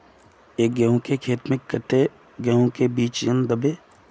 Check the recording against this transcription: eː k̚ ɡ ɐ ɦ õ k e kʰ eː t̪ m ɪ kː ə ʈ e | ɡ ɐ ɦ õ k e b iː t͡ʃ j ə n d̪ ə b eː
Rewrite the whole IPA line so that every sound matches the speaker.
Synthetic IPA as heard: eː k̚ ɡ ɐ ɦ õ k e kʰ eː t̪ m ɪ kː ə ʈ e | ɡ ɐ ɦ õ k e b iː t͡ʃ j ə n d̪ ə b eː